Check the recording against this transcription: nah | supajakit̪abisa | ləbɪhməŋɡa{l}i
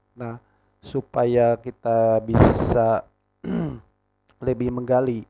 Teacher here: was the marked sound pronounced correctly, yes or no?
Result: yes